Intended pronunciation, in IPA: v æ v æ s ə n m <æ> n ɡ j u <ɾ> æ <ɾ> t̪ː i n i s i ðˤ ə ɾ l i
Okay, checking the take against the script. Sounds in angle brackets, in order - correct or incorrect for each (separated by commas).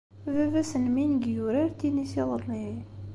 incorrect, correct, correct